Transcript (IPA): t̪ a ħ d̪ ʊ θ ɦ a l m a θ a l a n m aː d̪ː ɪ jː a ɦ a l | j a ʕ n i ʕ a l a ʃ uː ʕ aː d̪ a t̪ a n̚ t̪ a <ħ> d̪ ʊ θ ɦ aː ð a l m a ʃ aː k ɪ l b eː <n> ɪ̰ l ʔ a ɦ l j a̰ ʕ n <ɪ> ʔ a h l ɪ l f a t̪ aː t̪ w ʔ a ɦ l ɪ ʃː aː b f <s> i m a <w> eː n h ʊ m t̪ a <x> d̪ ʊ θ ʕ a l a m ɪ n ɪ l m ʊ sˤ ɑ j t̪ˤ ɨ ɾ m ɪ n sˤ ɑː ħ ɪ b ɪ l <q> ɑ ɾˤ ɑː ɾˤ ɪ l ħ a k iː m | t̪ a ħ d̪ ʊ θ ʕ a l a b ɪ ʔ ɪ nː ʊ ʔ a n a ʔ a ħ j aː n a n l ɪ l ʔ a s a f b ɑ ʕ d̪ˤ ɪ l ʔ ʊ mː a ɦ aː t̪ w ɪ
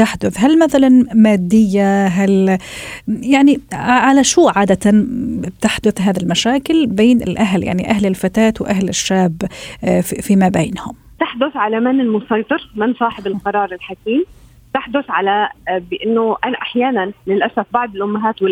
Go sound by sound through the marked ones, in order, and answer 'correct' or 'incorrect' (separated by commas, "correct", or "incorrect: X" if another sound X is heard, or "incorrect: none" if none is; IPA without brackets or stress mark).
correct, correct, incorrect: i, incorrect: f, incorrect: b, incorrect: ħ, correct